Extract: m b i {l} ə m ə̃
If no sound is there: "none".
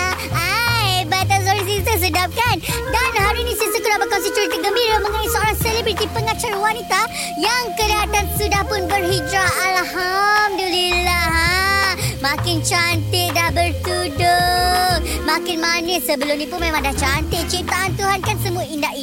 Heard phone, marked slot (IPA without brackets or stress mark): ɾ